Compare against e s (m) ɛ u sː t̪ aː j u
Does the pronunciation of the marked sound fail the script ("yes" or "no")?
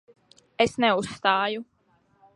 yes